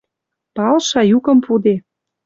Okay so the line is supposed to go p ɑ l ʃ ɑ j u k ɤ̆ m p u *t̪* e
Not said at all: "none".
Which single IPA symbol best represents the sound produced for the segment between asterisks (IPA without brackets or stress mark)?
d̪